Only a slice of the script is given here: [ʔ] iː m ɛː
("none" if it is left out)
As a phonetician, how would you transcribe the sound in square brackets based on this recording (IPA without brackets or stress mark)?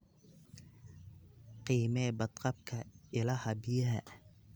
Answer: q